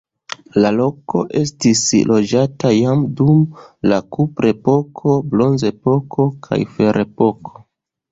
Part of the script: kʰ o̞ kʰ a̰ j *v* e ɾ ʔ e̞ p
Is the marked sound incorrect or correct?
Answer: incorrect: f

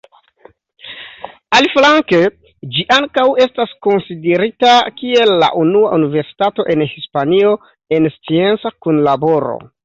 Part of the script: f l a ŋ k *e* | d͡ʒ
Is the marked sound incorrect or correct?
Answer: correct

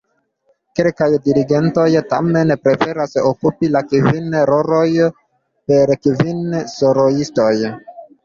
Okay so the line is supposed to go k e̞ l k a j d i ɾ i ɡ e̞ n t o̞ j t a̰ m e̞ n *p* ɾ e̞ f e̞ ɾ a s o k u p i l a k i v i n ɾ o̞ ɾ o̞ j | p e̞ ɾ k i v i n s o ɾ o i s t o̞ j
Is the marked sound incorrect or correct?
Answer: correct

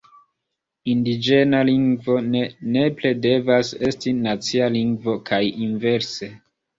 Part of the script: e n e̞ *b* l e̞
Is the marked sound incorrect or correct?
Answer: incorrect: p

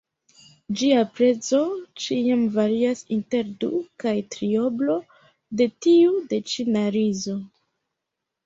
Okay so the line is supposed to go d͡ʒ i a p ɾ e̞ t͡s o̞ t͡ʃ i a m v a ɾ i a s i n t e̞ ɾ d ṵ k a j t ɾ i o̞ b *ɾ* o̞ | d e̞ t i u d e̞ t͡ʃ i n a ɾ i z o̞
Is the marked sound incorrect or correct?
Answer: incorrect: l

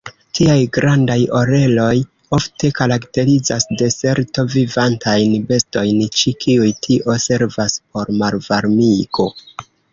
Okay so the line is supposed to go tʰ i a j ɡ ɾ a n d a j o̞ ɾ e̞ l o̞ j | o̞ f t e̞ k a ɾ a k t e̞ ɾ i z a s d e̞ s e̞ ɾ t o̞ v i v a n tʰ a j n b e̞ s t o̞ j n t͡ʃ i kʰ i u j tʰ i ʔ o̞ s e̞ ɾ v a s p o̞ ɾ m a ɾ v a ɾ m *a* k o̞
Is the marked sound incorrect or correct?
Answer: incorrect: i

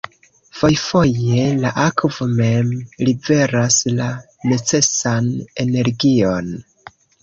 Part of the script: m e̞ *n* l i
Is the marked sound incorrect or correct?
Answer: incorrect: m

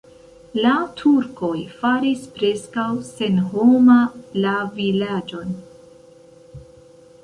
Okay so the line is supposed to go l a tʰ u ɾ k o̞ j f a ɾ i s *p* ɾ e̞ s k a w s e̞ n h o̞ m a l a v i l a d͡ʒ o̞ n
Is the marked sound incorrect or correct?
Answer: correct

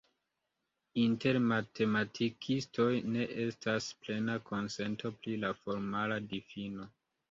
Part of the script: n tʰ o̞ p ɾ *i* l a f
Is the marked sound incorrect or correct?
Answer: correct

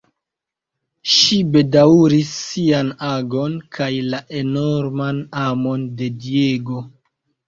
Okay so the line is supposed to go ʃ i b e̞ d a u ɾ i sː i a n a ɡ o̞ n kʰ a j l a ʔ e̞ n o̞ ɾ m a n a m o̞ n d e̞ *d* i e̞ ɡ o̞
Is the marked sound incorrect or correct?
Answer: correct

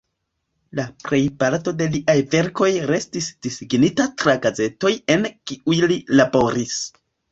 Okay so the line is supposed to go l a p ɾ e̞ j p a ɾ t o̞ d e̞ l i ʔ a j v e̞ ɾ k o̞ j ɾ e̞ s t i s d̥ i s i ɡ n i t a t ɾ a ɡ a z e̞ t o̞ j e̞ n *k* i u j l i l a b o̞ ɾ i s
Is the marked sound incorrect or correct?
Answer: correct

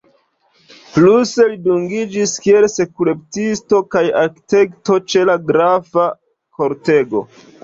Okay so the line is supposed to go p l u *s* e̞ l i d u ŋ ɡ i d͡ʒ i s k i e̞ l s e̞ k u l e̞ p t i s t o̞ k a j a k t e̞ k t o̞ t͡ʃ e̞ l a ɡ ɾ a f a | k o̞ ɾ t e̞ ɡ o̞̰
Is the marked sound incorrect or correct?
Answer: correct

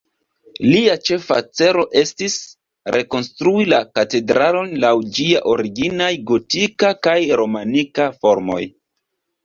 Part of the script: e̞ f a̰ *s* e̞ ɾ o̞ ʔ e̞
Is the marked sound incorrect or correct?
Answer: incorrect: t͡s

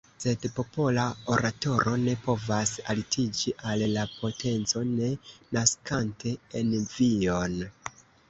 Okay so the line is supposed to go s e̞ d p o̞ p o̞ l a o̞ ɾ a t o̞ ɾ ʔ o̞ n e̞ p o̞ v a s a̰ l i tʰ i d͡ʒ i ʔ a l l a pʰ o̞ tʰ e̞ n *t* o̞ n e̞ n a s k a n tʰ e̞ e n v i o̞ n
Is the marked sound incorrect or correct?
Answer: incorrect: t͡s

